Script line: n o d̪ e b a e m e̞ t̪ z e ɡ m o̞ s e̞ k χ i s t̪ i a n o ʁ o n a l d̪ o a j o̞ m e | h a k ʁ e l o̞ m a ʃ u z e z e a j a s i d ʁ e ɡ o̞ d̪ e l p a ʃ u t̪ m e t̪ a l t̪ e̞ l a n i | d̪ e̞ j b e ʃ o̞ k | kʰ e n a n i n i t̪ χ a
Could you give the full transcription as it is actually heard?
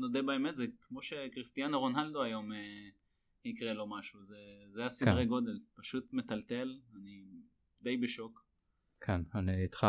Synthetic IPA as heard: n o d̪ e b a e m e̞ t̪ z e k m o̞ ʃ e̞ k ʁ i s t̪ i a n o ʁ o n a l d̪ o a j o̞ m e | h i k ʁ e l o̞ m a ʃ u z e z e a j a s i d ʁ e ɡ o̞ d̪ e l p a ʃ u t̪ m e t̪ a l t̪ e̞ l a n i | d̪ e̞ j b e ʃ o̞ k | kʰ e n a n i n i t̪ χ a